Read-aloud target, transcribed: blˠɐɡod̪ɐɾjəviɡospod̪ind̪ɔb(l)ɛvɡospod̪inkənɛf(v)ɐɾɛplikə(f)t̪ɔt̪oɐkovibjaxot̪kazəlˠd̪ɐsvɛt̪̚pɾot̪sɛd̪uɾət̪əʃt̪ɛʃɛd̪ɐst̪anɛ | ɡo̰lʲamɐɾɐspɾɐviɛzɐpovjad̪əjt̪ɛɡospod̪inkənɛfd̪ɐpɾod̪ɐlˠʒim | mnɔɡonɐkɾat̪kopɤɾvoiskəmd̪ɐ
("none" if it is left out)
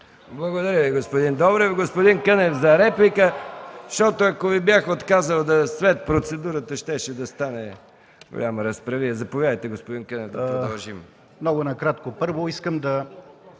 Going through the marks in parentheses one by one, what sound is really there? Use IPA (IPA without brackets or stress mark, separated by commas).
ɾ, z, ʃ